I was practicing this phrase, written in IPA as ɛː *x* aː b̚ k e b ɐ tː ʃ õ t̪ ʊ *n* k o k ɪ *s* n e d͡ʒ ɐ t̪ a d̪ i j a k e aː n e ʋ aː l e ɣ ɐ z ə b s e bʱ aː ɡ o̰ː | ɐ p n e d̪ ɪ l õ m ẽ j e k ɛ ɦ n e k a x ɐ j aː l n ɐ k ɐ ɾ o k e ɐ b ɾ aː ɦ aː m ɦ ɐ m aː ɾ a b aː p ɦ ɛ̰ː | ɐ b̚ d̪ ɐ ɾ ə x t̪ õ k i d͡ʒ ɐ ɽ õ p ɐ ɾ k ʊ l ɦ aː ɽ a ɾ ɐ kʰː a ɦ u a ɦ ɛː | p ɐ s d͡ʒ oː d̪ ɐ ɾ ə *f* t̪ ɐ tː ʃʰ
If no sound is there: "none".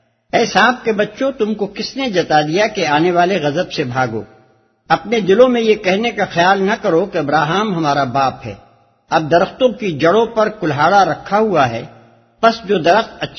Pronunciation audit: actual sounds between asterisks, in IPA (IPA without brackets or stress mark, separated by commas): s, m, s, x